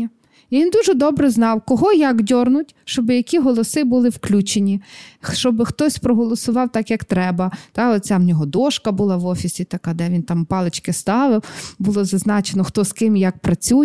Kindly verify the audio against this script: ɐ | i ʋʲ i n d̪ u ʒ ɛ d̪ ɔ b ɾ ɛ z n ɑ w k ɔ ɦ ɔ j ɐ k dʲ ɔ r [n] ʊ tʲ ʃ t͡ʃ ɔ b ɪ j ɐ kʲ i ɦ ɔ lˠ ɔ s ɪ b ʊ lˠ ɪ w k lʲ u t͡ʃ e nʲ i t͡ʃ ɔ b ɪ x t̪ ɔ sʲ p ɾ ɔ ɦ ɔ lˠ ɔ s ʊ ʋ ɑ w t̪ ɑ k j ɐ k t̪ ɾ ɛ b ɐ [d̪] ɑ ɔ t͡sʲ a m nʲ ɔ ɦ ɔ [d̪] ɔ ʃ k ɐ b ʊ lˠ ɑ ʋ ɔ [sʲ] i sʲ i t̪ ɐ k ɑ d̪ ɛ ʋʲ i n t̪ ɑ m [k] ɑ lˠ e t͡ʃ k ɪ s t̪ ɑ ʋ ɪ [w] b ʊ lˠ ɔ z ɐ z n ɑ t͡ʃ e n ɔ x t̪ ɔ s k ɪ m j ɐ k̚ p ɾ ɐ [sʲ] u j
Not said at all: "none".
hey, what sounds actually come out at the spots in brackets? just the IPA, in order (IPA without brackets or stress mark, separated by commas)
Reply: n, t̪, d̪, fʲ, p, w, t͡sʲ